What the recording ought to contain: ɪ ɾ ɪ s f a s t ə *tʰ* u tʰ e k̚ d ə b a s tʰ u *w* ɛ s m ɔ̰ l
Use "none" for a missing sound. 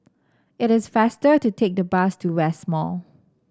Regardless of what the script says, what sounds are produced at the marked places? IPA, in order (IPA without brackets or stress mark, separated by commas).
t, w